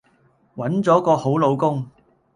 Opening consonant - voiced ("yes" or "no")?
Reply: yes